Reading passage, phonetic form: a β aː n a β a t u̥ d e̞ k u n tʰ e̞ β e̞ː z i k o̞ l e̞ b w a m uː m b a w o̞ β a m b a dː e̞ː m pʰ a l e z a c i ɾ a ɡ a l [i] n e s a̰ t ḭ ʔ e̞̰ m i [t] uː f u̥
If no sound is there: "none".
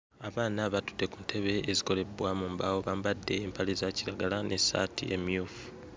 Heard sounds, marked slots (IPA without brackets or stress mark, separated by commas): a, none